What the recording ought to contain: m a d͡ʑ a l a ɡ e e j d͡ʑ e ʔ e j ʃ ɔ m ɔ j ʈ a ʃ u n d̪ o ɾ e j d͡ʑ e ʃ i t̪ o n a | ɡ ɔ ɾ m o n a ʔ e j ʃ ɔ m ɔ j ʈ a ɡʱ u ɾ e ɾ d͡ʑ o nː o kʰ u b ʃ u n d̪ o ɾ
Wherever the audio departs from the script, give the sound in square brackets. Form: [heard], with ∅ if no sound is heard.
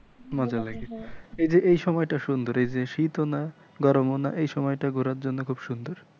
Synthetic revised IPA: m a d͡ʑ a l a ɡ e e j d͡ʑ e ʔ e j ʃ ɔ m ɔ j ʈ a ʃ u n d̪ o ɾ e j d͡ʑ e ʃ i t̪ o n a | ɡ ɔ ɾ m o n a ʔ e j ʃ ɔ m ɔ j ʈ a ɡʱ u ɾ [a] ɾ d͡ʑ o nː o kʰ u b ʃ u n d̪ o ɾ